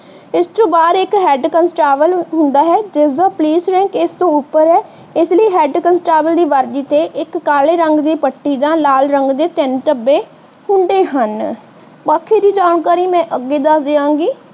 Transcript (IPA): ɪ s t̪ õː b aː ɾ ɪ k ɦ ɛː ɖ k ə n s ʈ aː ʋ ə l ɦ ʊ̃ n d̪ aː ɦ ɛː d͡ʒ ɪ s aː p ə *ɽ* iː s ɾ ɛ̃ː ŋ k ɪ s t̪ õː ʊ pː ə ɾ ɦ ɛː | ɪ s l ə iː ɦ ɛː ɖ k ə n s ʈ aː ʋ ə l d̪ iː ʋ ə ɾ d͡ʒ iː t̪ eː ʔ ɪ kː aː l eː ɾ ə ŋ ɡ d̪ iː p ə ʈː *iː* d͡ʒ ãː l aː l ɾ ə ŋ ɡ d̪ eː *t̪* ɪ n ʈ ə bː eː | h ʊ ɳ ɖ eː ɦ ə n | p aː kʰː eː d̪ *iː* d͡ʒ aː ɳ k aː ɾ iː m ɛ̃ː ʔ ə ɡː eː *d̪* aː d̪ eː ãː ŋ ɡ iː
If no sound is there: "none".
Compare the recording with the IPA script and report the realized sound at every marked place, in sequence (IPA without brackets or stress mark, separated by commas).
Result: l, iː, t̪, iː, d̪